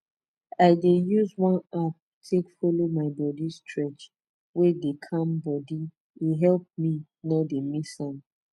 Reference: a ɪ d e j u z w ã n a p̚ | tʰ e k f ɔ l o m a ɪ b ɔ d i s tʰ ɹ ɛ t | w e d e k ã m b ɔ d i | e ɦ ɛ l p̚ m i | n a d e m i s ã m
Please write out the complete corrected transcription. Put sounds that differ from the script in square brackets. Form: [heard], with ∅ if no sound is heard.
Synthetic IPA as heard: a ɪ d e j u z w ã n a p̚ | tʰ e k f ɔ l o m a ɪ b ɔ d i s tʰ ɹ ɛ [t͡ʃ] | w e d e [kʰ] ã m b ɔ d i | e ɦ ɛ l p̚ m i | n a d e m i s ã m